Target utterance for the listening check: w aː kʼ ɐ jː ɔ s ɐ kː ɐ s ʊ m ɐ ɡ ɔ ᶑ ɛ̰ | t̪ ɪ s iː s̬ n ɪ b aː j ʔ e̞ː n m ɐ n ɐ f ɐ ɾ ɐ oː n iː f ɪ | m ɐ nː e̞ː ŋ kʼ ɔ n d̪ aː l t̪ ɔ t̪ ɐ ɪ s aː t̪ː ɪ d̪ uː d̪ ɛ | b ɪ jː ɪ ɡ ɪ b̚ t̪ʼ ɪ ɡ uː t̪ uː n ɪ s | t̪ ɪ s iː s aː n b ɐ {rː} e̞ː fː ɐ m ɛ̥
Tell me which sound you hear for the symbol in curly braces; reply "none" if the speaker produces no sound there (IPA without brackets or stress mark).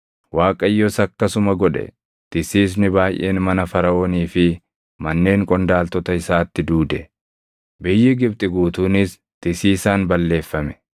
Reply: lː